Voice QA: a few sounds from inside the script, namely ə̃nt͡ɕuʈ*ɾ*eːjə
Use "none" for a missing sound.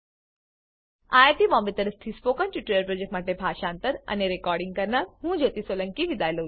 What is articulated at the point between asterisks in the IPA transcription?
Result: ɾ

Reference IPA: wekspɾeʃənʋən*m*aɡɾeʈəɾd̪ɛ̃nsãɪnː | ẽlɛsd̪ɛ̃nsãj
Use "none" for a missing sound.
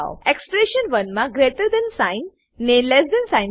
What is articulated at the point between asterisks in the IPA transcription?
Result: m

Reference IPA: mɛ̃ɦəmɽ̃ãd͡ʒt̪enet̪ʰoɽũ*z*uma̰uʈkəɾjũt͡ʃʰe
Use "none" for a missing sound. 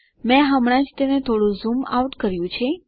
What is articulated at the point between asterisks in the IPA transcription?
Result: z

